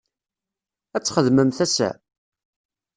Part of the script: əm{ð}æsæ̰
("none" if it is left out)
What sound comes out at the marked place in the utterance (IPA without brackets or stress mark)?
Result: θ